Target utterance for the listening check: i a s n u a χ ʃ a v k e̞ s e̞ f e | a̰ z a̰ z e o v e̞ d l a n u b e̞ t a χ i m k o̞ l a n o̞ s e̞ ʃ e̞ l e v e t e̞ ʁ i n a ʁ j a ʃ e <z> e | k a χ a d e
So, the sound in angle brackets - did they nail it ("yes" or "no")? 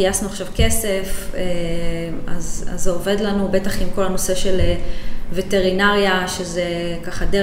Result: yes